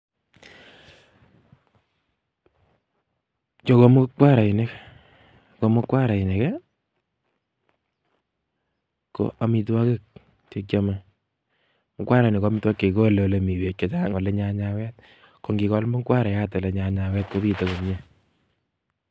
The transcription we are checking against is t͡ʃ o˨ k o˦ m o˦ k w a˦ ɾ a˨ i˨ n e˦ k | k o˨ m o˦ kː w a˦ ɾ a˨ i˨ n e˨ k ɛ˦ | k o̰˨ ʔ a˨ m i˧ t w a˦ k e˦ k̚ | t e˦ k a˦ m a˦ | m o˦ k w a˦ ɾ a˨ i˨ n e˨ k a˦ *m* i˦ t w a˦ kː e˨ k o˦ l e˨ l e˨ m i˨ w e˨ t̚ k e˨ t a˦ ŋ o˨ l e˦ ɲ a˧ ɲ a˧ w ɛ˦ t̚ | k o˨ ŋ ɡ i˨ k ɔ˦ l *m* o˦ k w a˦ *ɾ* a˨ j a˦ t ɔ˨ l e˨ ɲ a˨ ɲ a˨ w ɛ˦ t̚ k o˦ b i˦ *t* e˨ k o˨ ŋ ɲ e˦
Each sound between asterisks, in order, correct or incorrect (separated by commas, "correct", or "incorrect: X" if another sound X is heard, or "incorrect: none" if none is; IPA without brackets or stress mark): correct, correct, correct, correct